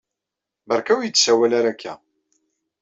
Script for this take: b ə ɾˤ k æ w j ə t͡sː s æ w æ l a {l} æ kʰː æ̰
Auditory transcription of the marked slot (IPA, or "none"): ɾ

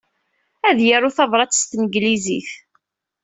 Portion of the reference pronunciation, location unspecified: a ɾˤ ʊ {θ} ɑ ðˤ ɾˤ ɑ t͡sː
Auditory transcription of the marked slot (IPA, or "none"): θ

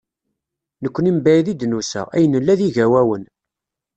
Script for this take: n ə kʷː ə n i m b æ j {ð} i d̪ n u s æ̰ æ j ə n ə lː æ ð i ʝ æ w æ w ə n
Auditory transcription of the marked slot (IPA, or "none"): ð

